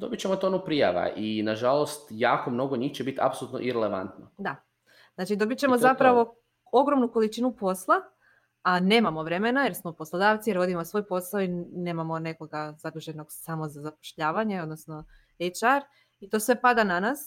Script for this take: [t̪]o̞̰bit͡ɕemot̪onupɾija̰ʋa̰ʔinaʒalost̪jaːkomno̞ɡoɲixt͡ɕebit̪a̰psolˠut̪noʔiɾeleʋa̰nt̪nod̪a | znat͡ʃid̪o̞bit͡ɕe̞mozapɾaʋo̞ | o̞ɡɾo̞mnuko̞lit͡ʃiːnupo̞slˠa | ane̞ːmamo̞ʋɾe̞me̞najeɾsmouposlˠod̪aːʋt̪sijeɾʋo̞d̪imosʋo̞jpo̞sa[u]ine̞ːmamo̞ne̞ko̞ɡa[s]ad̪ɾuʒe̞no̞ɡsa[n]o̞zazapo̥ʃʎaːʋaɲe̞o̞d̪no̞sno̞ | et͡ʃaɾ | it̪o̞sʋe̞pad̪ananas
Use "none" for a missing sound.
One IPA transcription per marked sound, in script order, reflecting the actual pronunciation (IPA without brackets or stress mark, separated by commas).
d̪, o, z, m